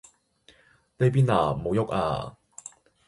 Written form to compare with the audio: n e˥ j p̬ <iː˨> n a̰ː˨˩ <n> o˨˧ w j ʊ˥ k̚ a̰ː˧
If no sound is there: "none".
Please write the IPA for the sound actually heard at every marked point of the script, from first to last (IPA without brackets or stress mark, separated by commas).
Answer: iː˥, m